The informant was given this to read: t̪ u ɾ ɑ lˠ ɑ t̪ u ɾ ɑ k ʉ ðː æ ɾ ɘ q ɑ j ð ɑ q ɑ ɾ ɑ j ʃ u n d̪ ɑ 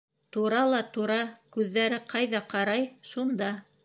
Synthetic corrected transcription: t̪ u ɾ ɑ lˠ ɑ t̪ u ɾ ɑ k ʉ ðː æ ɾ ɘ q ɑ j ð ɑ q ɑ ɾ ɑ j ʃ u n d̪ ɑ

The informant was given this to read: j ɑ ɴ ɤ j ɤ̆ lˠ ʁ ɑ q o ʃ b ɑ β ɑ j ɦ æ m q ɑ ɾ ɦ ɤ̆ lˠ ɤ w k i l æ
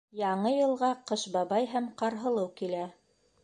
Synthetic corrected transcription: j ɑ ɴ ɤ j ɤ̆ lˠ ʁ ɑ q ɤ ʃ b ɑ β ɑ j ɦ æ m q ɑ ɾ ɦ ɤ̆ lˠ ɤ w k i l æ

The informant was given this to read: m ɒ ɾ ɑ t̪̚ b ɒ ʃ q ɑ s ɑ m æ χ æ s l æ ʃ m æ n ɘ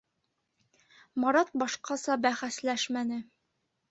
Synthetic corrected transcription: m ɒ ɾ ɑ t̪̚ b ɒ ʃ q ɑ s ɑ b æ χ æ s l æ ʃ m æ n ɘ

